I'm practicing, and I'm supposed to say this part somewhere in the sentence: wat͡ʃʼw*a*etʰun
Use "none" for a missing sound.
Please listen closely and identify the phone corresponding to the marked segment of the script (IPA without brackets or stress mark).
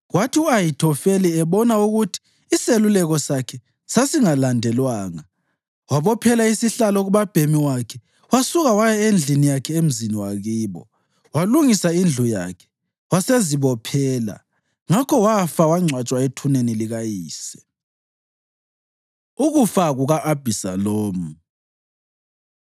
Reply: a